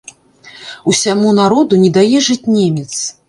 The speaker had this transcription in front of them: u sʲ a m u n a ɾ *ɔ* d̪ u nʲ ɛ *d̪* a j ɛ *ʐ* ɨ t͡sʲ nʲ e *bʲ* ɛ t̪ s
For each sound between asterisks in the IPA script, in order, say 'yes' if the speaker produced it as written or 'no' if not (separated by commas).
yes, yes, yes, no